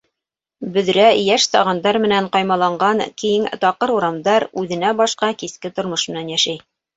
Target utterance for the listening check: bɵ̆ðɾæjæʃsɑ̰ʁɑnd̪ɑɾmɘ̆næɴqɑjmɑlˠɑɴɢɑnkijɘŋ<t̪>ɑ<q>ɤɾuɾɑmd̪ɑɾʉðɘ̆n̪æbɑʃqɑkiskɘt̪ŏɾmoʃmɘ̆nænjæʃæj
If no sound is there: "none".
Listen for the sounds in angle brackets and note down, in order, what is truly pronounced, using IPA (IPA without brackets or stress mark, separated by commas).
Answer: t̪, q